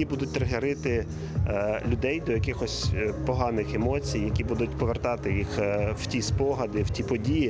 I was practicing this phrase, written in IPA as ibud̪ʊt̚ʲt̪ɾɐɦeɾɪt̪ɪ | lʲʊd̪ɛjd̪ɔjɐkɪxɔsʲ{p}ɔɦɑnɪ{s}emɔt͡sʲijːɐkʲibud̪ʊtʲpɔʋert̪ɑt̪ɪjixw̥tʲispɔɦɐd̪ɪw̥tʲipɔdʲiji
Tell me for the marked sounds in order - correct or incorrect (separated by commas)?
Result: correct, incorrect